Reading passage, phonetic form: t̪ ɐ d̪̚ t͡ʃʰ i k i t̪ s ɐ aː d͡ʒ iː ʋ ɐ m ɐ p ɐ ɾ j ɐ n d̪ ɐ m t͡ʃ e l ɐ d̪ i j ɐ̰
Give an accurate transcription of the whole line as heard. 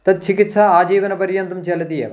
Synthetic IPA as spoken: t̪ ɐ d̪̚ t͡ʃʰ i k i t̪ s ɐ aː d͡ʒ iː ʋ ɐ n ɐ p ɐ ɾ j ɐ n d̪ ɐ m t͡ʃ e l ɐ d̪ i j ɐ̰